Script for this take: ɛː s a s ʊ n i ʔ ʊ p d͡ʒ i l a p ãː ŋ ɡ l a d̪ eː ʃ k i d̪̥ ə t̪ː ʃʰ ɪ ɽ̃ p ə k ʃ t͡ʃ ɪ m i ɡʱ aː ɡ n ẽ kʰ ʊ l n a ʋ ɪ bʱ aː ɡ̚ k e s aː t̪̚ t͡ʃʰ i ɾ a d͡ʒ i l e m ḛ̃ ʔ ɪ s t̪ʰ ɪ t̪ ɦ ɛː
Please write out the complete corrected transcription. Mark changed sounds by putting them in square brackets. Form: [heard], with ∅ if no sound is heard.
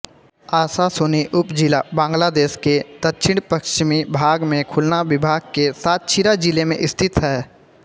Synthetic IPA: [aː] s a s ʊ n i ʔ ʊ p d͡ʒ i l a [b] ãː ŋ ɡ l a d̪ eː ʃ k [e] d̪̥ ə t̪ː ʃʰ ɪ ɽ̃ p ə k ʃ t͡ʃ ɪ m i [bʱ] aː ɡ [m] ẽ kʰ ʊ l n a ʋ ɪ bʱ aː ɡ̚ k e s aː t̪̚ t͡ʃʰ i ɾ a d͡ʒ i l e m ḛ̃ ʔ ɪ s t̪ʰ ɪ t̪ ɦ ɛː